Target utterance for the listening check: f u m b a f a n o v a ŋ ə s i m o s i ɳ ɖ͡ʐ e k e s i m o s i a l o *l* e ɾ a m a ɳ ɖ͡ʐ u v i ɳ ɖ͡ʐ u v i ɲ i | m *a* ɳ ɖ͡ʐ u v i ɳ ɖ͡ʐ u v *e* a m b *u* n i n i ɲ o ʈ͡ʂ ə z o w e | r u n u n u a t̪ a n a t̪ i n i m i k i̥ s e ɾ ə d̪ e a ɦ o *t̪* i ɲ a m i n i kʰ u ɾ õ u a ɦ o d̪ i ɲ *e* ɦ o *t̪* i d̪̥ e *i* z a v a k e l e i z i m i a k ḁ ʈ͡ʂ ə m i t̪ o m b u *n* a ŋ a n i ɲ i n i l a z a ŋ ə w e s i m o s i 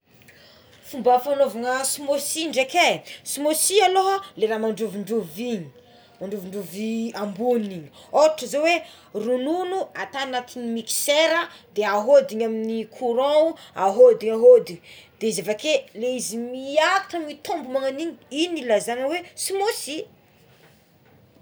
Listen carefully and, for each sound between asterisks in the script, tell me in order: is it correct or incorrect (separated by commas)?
correct, correct, incorrect, correct, incorrect, incorrect, incorrect, correct, incorrect